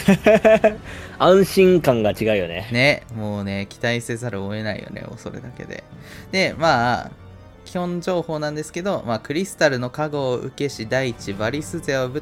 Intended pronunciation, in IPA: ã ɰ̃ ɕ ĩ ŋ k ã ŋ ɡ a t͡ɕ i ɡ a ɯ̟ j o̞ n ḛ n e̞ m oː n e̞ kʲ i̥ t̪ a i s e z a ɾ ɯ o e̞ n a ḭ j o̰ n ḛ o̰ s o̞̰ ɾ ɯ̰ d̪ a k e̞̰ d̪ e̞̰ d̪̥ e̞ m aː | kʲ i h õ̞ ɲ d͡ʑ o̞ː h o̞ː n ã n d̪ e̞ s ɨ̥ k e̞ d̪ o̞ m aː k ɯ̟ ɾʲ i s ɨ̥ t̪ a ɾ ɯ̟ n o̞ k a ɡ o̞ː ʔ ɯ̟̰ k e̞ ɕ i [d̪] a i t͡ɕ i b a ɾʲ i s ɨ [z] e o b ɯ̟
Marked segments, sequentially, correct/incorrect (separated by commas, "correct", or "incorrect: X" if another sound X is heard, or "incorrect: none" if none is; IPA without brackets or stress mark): correct, correct